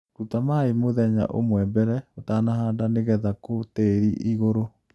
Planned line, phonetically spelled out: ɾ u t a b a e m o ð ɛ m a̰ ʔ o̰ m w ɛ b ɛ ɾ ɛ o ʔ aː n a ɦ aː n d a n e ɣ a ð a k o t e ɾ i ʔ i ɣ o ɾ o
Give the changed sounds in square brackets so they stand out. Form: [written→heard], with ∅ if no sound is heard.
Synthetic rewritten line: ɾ u t a [b→m] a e m o ð ɛ [m→ɲ] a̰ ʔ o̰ m w ɛ b ɛ ɾ ɛ o [ʔ→t] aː n a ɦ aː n d a n e ɣ [a→ɛ] ð a k o t e ɾ i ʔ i ɣ o ɾ o